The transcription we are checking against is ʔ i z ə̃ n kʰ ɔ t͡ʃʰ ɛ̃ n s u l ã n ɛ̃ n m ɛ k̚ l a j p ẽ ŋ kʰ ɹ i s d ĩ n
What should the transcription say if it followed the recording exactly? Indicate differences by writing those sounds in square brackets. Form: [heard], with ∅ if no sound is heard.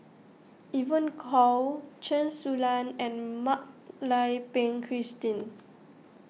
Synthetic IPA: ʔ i [v] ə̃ n kʰ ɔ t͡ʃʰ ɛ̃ n s u l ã n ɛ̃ n m [a] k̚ l a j p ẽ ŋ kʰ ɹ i s [t] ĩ n